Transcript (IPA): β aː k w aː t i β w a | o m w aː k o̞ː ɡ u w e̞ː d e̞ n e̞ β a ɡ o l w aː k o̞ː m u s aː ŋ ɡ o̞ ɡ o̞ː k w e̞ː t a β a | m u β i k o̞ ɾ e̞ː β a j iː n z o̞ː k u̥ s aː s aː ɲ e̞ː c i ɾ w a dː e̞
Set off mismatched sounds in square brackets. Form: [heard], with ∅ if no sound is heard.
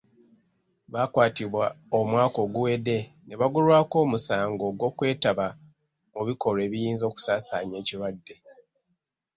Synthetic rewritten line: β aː k w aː t i β w a | o m w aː k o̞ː ɡ u w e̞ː d e̞ n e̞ β a ɡ [u] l w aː k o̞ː m u s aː ŋ ɡ o̞ ɡ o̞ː k w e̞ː t a β a | m u β i k o̞ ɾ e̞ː β [i] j iː n z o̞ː k u̥ s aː s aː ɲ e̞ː c i ɾ w a dː e̞